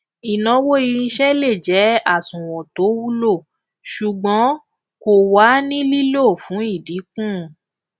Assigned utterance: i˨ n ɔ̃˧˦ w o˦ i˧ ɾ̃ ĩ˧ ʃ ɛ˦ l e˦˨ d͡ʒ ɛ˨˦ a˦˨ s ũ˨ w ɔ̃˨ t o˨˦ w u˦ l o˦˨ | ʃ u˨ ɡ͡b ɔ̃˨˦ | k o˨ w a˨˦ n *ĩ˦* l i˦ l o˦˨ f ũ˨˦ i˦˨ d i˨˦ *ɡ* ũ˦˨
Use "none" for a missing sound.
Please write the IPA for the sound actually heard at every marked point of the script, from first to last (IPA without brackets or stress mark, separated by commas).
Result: ĩ˦, k